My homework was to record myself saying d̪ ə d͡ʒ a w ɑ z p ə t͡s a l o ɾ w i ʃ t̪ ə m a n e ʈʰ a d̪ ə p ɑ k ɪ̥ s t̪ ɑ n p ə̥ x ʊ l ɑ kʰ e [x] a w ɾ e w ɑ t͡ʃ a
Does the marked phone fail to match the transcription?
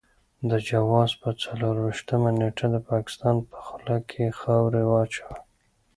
no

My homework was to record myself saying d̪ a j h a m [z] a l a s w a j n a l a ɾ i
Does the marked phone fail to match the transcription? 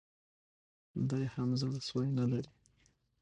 no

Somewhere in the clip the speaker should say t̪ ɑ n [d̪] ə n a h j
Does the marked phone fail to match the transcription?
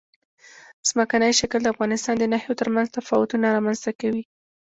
no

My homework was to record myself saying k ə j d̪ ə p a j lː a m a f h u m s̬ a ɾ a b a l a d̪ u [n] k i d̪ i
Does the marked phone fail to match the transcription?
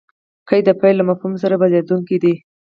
yes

